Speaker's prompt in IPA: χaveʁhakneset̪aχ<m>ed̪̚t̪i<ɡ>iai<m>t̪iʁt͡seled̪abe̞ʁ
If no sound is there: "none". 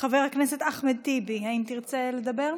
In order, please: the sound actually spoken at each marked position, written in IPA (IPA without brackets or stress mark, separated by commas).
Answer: m, b, m